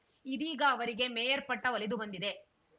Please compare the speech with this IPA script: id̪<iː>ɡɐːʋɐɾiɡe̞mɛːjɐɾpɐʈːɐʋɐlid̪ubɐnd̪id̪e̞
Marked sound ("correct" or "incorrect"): correct